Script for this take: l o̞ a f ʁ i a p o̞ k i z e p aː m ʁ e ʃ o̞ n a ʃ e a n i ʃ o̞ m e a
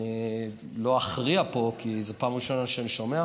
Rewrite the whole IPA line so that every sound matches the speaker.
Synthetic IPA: l o̞ a χ ʁ i a p o̞ k i z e p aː m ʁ i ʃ o̞ n a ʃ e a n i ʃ o̞ m e a